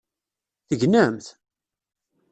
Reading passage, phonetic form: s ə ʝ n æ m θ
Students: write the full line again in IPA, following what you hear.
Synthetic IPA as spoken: θ ə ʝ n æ m θ